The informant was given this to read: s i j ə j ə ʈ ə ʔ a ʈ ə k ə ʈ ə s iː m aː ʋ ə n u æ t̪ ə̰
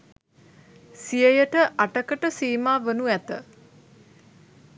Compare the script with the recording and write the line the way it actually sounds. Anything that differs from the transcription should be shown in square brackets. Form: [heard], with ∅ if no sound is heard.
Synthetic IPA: s i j ə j ə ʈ ə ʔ a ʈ ə k ə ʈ ə s iː m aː ʋ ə n u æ t̪ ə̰